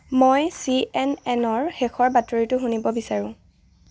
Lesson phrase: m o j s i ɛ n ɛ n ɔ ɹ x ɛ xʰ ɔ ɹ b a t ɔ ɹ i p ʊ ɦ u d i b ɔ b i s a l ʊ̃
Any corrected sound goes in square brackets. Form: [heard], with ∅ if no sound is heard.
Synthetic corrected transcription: m o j s i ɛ n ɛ n ɔ ɹ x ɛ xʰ ɔ ɹ b a t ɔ ɹ i [t] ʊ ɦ u [n] i b ɔ b i s a [ɹ] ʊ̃